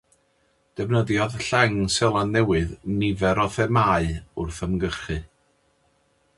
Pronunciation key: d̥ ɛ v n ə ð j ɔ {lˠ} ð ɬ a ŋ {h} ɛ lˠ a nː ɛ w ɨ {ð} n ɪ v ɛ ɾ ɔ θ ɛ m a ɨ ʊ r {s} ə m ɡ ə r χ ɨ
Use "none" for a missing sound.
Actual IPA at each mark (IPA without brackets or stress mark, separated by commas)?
none, s, ð, θ